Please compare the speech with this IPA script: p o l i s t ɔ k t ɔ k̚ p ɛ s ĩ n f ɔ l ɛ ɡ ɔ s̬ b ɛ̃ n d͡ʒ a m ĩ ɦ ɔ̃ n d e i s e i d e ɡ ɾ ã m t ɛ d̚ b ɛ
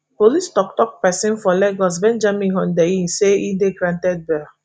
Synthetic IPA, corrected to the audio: p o l i s t ɔ k t ɔ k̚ p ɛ s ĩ n f ɔ l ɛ ɡ ɔ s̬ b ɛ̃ n d͡ʒ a m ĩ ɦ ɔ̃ n d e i s e i d e ɡ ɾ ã n t ɛ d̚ b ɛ